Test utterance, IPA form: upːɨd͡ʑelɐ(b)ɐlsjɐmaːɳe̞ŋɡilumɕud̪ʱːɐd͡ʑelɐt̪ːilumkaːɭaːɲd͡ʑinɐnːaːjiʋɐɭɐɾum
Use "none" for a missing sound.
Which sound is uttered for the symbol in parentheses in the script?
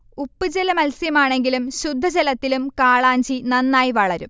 m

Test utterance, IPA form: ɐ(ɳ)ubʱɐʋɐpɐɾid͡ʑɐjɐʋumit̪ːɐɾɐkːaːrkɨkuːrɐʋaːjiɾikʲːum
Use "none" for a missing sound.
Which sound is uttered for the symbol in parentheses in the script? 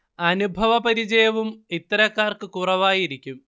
n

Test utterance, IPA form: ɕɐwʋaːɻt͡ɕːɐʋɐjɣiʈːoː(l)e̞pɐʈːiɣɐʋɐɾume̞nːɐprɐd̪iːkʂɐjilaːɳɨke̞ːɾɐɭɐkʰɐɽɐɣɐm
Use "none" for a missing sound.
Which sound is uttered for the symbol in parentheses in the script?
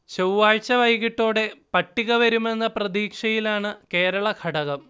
ɽ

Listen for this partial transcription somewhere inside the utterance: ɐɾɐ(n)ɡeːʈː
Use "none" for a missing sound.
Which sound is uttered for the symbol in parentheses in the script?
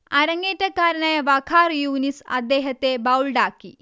ŋ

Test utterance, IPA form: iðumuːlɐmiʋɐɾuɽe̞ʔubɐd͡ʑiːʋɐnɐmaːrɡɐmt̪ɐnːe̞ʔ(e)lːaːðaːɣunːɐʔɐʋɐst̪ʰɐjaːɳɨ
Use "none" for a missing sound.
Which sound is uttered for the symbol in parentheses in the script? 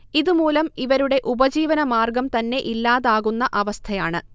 i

